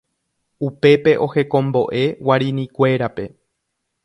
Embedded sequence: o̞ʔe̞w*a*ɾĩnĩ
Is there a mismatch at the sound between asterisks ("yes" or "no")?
no